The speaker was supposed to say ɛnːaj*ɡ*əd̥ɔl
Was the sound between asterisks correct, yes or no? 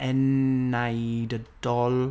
no